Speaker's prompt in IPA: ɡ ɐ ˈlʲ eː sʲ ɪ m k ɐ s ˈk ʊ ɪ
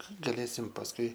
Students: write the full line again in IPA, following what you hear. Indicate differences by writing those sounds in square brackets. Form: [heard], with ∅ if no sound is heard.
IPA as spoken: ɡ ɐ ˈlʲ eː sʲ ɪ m [p] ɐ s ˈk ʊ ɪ